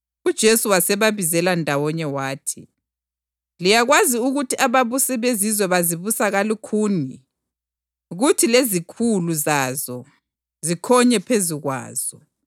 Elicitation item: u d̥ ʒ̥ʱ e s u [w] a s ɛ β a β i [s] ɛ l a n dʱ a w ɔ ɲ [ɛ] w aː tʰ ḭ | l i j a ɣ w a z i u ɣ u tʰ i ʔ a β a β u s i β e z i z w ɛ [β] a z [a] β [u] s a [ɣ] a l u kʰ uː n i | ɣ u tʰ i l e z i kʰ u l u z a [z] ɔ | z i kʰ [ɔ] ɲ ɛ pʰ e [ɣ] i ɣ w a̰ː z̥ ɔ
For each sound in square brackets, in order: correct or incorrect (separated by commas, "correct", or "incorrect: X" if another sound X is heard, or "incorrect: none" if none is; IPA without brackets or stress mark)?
correct, incorrect: z, correct, correct, incorrect: i, correct, correct, correct, correct, incorrect: z